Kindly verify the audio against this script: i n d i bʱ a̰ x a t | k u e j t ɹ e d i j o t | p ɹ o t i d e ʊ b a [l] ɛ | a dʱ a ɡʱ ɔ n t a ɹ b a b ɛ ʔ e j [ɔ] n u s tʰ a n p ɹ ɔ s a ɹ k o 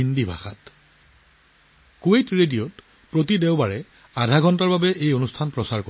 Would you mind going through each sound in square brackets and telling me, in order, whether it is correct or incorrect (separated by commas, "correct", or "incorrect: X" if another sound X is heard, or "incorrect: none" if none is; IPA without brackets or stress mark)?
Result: incorrect: ɹ, incorrect: o